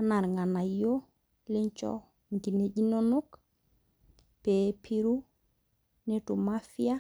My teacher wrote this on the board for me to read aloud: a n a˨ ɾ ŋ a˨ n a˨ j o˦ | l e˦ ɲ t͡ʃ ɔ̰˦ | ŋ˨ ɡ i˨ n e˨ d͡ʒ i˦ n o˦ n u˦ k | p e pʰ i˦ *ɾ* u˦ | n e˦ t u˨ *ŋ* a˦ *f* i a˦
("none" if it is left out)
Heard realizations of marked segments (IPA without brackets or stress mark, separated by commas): ɾ, m, f